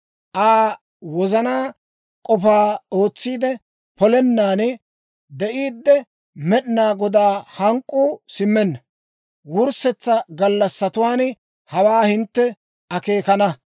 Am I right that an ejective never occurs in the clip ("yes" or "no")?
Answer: no